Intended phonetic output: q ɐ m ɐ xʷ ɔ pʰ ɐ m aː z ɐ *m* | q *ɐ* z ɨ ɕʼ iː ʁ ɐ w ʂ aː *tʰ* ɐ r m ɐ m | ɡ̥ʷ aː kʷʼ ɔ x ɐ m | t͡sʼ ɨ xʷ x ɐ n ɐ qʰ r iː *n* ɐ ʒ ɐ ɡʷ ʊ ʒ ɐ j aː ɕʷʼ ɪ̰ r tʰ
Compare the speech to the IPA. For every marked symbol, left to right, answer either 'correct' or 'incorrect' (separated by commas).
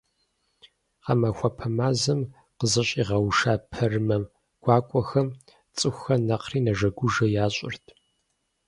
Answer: correct, incorrect, incorrect, correct